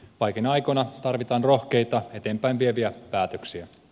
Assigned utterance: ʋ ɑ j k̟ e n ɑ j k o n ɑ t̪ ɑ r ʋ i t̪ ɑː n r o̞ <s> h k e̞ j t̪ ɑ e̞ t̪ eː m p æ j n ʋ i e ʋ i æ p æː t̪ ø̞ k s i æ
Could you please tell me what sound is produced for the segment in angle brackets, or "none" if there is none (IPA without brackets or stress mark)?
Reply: none